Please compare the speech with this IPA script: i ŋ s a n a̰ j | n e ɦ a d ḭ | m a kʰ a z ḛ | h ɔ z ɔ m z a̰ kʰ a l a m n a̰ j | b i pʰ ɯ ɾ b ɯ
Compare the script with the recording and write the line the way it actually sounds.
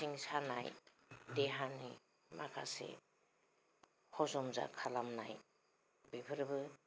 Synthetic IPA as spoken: i ŋ s a n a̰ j | d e ɦ a n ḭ | m a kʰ a s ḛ | h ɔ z ɔ m z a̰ kʰ a l a m n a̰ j | b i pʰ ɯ ɾ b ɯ